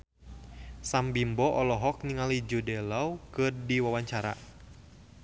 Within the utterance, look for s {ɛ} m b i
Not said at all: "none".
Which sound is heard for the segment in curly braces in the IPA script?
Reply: a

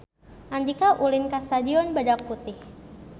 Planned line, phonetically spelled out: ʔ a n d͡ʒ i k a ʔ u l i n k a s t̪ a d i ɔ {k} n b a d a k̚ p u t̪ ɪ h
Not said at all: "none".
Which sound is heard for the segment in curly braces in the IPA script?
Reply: none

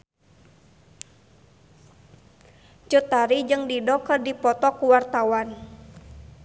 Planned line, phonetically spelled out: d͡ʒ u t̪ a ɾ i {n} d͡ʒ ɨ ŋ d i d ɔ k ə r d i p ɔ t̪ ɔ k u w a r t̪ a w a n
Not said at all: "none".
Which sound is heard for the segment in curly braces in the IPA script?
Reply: none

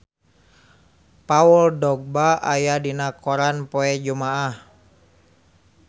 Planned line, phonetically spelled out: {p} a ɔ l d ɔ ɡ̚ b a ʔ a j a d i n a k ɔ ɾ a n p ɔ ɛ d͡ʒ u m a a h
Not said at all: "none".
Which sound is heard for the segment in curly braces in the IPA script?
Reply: p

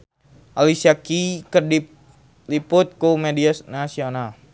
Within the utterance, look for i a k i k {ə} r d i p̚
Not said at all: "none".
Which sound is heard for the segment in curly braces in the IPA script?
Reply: ə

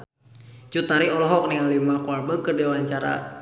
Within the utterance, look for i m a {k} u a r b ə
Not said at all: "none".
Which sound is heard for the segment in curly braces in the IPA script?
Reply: k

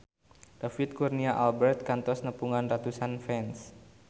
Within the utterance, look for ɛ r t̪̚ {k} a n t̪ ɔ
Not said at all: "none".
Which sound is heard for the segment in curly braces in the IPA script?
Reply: k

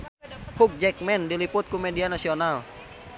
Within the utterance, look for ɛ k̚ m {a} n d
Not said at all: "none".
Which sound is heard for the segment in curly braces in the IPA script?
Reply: ɛ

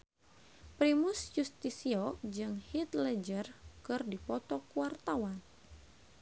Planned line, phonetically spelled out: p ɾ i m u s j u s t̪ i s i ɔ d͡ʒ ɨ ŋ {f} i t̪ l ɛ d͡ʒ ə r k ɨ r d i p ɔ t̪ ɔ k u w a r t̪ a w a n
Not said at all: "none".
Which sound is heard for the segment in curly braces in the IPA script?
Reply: h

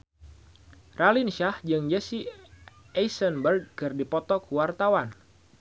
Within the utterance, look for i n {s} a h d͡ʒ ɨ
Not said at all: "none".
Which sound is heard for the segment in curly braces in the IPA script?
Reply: ʃ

